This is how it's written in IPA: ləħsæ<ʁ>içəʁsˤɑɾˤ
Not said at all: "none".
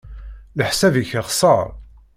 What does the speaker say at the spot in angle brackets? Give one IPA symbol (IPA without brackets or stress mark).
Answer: v